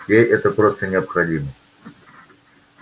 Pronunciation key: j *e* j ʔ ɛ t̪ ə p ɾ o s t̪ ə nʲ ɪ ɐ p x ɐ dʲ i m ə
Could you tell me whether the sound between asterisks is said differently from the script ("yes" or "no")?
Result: no